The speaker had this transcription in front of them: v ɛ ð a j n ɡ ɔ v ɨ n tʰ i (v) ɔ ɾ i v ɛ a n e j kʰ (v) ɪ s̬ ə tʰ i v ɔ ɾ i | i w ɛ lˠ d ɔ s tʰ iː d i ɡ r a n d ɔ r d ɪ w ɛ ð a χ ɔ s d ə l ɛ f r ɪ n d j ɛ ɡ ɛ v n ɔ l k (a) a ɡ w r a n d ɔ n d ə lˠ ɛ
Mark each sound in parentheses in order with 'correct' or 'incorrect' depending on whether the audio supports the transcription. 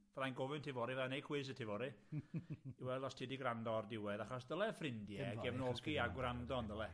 correct, incorrect: w, incorrect: i

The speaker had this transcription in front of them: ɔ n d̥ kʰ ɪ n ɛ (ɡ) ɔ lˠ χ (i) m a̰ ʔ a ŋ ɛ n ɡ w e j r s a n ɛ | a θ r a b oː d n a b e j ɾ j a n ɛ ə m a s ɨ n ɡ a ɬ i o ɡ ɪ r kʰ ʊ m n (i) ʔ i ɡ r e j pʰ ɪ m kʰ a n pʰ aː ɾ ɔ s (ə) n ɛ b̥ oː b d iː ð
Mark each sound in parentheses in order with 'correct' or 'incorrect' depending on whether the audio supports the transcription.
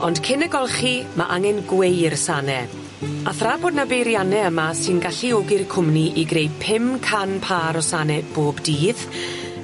correct, correct, correct, incorrect: a

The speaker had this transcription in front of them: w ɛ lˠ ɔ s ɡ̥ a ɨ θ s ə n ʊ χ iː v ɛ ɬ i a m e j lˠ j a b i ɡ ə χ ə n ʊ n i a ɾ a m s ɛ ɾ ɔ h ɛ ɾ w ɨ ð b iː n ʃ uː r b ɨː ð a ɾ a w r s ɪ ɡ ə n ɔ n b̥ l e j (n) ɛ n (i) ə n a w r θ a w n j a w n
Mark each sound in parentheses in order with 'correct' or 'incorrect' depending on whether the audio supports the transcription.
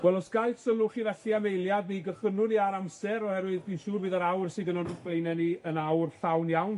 correct, correct

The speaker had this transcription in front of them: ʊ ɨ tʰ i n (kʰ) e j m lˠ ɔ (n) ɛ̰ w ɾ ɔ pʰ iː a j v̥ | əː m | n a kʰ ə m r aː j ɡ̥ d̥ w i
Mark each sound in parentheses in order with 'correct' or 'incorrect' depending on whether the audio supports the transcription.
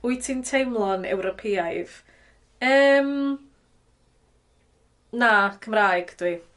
incorrect: tʰ, correct

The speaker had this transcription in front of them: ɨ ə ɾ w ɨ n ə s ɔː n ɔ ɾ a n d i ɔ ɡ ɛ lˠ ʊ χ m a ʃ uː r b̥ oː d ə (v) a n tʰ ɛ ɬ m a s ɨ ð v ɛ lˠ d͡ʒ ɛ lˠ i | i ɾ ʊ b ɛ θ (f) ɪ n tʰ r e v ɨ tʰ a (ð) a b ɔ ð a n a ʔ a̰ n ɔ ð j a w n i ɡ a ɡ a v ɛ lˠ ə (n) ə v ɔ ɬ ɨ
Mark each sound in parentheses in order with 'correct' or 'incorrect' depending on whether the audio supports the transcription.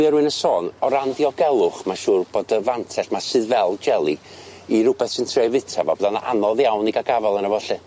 correct, incorrect: s, incorrect: v, correct

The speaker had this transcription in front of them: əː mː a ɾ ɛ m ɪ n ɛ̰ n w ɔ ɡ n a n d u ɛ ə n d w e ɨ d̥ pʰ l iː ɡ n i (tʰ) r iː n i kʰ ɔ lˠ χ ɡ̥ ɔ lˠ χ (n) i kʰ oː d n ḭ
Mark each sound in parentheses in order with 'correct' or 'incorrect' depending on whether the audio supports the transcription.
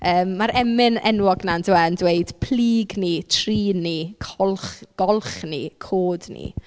correct, correct

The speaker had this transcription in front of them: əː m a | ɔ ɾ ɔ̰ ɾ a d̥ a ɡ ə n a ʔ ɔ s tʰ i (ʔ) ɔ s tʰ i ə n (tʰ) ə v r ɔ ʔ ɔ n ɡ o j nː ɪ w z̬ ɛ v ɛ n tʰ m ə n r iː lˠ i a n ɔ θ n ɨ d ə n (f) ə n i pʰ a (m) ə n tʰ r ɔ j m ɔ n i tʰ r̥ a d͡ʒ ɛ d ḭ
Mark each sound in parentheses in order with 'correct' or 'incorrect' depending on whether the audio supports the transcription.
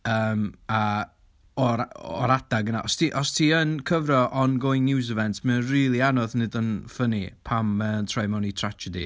correct, incorrect: kʰ, correct, correct

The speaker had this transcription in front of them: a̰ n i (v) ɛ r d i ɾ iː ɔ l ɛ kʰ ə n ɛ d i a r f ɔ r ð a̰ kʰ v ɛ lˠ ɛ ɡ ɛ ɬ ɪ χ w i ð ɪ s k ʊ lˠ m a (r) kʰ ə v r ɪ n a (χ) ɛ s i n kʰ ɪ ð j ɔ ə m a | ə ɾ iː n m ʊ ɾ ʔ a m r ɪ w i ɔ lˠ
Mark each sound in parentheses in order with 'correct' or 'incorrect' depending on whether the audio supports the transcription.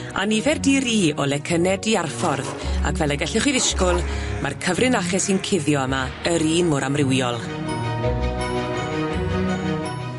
correct, correct, correct

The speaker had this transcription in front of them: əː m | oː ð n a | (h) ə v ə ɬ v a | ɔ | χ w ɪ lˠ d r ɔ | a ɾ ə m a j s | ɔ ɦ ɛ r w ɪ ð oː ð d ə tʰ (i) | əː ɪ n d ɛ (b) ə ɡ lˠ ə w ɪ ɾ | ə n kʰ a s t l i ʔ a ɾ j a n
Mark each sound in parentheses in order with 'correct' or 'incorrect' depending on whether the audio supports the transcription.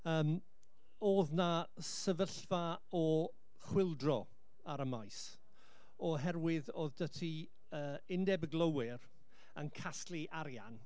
incorrect: s, correct, correct

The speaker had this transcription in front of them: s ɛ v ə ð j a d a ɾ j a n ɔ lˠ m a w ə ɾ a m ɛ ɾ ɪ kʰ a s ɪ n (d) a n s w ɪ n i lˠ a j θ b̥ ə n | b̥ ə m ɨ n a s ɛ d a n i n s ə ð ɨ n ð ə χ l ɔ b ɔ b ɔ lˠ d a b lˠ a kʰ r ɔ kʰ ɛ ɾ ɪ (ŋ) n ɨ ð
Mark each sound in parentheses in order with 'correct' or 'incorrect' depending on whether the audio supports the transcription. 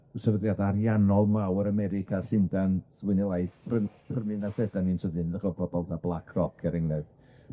correct, correct

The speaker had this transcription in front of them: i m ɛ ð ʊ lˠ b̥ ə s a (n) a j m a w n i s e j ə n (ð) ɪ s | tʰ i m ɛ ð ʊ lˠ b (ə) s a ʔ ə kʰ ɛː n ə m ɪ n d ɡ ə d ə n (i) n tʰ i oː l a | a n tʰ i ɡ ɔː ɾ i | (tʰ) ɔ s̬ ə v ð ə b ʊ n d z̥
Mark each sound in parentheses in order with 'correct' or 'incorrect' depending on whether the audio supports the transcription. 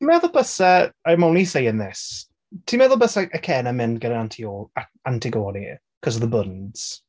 incorrect: none, correct, correct, incorrect: a, incorrect: kʰ

